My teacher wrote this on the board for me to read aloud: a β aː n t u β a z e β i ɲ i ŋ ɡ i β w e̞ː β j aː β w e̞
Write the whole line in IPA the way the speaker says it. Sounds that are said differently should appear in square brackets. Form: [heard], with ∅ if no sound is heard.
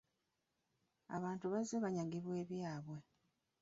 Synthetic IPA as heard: a β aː n t u β a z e β [a] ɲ [a] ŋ ɡ i β w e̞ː β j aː β w e̞